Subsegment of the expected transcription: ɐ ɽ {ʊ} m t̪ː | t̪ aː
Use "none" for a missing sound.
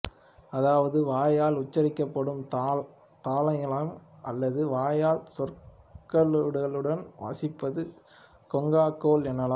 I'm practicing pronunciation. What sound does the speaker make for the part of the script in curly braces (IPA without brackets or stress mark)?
ɯ